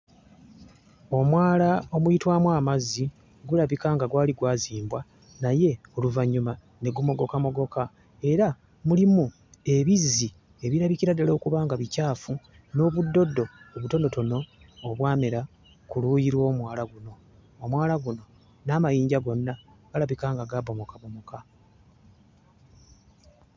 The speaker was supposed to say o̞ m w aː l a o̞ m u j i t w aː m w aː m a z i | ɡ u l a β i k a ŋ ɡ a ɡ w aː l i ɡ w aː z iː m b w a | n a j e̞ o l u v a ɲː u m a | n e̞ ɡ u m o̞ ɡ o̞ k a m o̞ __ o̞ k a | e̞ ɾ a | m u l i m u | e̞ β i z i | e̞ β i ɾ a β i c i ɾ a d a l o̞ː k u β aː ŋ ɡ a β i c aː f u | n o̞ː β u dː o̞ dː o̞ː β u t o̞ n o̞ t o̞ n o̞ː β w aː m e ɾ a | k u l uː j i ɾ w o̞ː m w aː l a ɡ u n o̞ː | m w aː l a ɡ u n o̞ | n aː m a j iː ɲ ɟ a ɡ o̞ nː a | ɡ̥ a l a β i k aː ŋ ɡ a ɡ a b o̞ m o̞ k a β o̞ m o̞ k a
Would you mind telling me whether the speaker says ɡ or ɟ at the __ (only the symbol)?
ɡ